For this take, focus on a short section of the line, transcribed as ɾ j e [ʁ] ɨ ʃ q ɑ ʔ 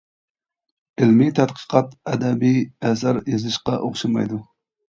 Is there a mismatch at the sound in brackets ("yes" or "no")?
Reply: yes